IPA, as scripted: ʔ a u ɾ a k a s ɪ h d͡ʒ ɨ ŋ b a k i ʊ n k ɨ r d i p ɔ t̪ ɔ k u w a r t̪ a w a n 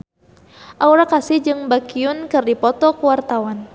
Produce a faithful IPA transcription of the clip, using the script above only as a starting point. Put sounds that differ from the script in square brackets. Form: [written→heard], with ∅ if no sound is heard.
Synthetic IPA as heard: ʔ a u ɾ a k a s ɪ h d͡ʒ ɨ ŋ b a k i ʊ n k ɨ r d i p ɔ t̪ ɔ k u w a r t̪ a w a n